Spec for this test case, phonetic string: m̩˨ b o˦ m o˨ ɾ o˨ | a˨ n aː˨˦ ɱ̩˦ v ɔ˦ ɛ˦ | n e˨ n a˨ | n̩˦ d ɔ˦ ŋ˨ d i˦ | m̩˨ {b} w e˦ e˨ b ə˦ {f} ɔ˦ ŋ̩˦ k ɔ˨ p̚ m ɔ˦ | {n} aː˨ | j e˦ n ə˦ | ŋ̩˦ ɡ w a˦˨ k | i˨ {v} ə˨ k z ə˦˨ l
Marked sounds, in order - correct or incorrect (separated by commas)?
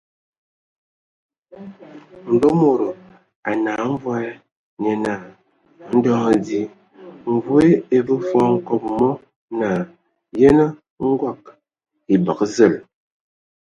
incorrect, correct, correct, incorrect